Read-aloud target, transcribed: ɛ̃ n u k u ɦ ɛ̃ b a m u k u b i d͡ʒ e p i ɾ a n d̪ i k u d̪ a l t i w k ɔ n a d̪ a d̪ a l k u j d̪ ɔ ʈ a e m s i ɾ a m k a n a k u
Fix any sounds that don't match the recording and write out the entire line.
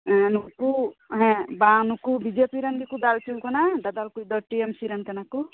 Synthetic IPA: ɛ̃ n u k u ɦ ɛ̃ b a n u k u b i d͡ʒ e p i ɾ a n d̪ i k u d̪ a l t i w k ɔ n a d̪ a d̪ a l k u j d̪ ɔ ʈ i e m s i ɾ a n k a n a k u